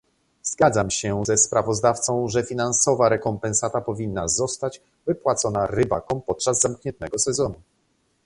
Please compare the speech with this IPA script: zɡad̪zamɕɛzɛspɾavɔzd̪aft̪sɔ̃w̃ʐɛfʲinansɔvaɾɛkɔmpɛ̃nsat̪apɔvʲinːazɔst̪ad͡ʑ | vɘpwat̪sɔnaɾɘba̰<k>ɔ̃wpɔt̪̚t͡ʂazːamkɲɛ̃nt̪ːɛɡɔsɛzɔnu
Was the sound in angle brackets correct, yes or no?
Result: yes